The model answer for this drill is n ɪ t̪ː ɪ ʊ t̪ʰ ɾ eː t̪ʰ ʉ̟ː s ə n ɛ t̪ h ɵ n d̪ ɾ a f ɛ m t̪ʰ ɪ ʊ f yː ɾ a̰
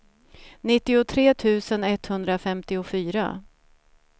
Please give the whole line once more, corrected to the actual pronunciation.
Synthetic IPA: n ɪ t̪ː ɪ ʊ t̪ʰ ɾ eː t̪ʰ ʉ̟ː s ə n ɛ t̪ h ɵ n d̪ ɾ a f ɛ m t̪ ɪ ʊ f yː ɾ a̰